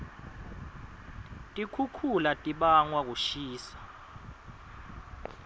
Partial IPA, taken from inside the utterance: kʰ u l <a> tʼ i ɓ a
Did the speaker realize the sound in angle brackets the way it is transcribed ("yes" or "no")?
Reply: yes